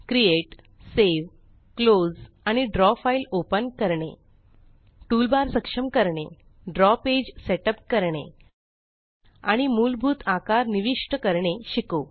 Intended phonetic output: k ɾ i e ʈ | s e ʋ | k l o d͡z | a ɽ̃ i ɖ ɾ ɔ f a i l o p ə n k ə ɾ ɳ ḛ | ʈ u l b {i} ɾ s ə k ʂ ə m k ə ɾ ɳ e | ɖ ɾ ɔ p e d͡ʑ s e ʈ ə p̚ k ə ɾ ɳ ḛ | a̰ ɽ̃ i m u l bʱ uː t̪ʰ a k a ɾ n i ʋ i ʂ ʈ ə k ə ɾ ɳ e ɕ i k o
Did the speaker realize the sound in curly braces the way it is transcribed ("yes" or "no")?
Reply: no